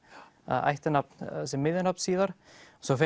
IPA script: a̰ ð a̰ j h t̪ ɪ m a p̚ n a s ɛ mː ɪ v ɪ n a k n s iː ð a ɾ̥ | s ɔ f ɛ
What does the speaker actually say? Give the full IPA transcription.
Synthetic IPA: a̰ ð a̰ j h t̪ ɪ n a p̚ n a s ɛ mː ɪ ð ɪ n a p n s iː ð a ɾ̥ | s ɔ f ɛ